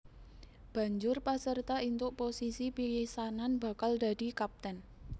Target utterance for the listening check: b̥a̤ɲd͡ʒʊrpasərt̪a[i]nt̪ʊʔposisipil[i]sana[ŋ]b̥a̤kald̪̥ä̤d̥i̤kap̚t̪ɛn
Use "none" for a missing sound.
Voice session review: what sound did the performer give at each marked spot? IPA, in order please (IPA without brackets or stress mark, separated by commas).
i, i, n